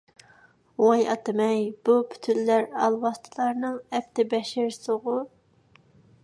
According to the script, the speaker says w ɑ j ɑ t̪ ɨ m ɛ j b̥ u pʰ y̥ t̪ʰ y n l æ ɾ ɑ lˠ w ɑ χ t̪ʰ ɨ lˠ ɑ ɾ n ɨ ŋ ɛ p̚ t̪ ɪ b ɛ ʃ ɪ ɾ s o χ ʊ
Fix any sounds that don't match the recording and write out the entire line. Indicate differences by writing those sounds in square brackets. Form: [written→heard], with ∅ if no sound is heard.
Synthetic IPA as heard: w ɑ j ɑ t̪ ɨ m ɛ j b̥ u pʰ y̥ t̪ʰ y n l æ ɾ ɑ lˠ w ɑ [χ→s] t̪ʰ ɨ lˠ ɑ ɾ n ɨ ŋ ɛ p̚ t̪ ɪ b ɛ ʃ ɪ ɾ s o [χ→ʁ] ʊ